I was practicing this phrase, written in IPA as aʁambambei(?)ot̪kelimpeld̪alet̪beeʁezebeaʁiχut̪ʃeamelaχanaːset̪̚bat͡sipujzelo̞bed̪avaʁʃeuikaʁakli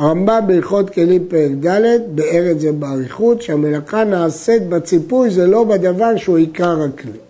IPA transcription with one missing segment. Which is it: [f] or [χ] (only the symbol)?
χ